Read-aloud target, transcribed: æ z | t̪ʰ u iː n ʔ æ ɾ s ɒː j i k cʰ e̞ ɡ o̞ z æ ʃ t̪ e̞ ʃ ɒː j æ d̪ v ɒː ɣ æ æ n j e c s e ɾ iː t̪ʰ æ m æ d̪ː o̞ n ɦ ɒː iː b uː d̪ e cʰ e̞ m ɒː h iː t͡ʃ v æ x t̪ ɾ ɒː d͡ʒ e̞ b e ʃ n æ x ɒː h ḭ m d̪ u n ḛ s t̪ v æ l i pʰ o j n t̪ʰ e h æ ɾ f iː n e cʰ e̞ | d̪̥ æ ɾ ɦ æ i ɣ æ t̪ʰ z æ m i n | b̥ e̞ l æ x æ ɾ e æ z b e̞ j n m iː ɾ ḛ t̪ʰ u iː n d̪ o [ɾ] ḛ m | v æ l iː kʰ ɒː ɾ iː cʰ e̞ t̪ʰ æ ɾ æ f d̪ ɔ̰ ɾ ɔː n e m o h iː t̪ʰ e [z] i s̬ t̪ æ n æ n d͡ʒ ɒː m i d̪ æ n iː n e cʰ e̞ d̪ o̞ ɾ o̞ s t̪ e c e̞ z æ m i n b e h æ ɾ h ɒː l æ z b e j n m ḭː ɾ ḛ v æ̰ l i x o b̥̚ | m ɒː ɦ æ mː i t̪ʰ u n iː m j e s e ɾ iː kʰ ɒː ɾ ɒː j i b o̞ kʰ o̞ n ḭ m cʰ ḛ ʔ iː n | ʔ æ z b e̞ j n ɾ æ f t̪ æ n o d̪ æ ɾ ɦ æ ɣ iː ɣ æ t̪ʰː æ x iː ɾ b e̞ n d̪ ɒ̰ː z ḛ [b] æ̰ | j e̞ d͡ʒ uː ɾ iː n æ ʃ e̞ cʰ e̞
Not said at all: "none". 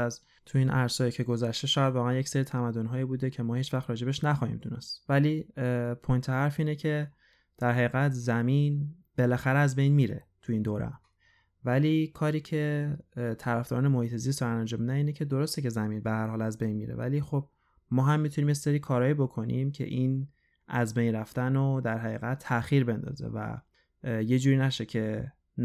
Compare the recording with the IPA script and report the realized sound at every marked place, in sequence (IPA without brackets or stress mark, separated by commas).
ɾ, z, v